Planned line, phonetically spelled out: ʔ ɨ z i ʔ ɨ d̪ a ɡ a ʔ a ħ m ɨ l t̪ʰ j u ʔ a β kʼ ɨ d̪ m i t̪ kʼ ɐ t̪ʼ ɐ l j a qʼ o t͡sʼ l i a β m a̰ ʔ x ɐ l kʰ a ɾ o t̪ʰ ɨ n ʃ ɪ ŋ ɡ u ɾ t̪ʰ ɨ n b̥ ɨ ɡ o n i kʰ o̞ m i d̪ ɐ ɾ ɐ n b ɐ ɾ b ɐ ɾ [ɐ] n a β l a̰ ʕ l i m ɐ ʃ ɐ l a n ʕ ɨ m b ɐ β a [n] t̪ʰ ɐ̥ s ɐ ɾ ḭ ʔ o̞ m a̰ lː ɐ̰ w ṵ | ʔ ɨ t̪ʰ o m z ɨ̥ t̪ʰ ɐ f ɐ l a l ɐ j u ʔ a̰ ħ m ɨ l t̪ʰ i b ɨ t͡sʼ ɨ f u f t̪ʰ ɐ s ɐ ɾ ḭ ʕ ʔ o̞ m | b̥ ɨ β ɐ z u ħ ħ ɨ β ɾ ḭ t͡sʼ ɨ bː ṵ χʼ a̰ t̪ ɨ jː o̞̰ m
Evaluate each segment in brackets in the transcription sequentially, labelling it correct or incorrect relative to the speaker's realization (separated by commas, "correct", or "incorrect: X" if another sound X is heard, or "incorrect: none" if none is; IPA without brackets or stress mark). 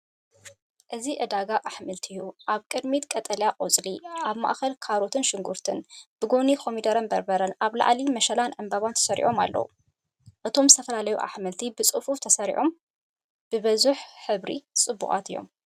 correct, correct